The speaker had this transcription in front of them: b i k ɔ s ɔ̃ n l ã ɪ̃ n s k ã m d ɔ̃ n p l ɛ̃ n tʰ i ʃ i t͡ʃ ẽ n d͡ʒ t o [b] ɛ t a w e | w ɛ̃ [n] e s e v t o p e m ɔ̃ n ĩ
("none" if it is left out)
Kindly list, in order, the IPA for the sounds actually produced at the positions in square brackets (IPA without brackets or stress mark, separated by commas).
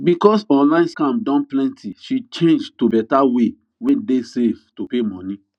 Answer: b, d